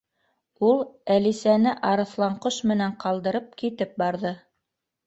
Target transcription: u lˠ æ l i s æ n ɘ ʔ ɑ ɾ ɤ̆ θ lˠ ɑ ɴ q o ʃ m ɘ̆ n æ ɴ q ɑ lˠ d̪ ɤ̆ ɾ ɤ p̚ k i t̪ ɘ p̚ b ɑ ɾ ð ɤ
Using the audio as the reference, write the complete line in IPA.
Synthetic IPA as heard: u lˠ æ l i s æ n ɘ ʔ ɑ ɾ ɤ̆ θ lˠ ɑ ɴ q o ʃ m ɘ̆ n æ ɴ q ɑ lˠ d̪ ɤ̆ ɾ ɤ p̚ k i t̪ ɘ p̚ b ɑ ɾ ð ɤ